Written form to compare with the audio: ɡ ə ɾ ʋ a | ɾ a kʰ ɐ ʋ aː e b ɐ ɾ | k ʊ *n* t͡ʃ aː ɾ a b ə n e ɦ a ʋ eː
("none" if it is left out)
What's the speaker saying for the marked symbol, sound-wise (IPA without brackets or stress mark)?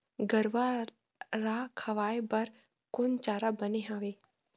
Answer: n